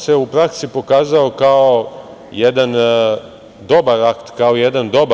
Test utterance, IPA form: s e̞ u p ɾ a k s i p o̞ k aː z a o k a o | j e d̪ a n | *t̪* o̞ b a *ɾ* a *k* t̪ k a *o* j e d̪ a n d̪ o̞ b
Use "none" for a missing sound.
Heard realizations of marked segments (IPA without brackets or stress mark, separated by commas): d̪, ɾ, k, o